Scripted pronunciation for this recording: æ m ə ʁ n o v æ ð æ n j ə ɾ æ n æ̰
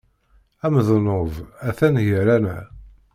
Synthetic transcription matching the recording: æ m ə ð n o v æ θ æ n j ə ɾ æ n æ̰

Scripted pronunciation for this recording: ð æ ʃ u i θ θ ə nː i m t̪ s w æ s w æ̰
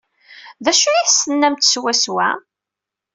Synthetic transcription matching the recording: ð æ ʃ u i θ s ə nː æ m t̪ s w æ s w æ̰

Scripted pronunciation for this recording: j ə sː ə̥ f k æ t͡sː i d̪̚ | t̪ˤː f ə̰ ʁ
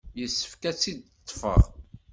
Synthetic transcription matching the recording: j ə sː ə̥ f k æ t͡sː i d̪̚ | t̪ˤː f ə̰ ʁ

